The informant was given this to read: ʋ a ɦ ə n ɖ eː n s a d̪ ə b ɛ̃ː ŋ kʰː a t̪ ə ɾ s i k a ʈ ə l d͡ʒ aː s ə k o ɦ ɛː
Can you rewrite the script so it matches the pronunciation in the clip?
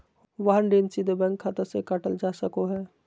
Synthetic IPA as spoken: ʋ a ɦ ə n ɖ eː n s i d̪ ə b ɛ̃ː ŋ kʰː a t̪ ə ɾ s e k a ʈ ə l d͡ʒ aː s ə k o ɦ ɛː